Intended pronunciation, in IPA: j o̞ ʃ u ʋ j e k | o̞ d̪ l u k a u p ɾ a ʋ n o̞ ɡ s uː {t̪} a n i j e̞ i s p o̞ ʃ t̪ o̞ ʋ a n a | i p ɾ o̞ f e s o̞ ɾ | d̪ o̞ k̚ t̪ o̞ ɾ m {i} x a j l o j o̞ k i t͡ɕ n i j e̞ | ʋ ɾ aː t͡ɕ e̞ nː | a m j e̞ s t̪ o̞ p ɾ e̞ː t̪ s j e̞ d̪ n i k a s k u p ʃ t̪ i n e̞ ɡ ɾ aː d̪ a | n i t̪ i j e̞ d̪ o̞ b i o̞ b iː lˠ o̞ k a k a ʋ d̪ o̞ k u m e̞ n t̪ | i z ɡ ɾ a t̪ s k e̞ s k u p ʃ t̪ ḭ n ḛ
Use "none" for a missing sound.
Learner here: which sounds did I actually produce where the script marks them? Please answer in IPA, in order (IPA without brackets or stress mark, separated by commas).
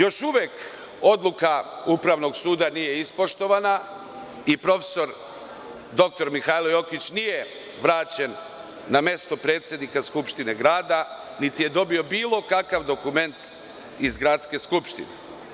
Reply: d̪, i